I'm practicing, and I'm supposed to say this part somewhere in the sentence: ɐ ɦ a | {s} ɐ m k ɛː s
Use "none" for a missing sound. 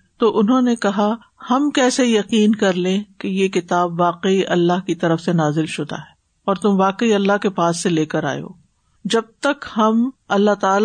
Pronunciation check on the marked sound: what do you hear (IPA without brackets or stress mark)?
h